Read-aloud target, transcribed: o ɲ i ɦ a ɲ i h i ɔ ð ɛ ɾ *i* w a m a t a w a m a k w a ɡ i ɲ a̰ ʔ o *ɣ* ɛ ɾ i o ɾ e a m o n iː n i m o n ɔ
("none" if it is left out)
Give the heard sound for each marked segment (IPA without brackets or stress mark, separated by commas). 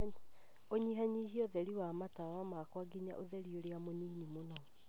i, ð